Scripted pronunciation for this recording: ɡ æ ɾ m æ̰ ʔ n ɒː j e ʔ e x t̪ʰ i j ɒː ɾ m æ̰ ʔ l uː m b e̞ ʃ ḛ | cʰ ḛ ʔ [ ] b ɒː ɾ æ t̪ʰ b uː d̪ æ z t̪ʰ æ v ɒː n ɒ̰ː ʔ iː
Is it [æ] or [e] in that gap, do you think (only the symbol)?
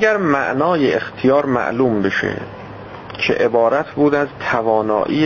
e